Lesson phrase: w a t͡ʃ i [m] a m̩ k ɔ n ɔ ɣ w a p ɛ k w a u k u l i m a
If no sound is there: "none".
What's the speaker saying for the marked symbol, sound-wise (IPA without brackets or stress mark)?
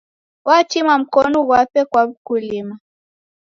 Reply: m